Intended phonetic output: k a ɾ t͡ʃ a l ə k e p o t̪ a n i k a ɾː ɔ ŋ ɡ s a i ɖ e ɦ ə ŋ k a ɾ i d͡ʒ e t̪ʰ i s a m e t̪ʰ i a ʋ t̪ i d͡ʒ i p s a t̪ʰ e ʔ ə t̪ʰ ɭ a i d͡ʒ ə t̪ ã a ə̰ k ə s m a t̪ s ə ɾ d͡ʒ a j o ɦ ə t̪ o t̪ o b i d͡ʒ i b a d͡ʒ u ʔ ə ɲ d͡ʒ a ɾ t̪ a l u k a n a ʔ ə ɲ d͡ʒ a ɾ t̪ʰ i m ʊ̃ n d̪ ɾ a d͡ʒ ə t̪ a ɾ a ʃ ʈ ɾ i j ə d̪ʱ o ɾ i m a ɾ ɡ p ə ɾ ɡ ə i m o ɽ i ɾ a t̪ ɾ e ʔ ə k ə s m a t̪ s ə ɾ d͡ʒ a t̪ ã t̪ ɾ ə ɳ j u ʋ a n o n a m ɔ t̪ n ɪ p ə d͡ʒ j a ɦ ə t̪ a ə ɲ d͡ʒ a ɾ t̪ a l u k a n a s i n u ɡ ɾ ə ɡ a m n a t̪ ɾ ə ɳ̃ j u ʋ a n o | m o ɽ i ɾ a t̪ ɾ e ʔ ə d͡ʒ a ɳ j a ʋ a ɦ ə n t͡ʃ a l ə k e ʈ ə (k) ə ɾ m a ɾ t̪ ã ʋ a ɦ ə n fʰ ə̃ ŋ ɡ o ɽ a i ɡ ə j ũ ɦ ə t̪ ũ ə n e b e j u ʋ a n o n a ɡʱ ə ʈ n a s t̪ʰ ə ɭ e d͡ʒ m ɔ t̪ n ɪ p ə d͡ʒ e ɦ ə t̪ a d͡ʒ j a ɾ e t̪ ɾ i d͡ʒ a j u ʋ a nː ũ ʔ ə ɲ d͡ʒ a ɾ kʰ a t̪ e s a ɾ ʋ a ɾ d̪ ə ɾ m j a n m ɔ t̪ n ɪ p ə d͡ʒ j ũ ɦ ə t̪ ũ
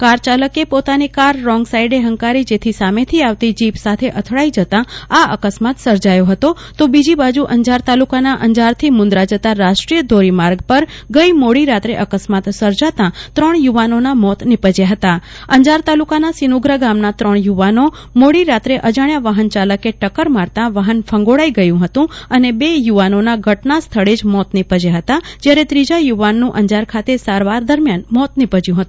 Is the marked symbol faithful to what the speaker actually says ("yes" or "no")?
yes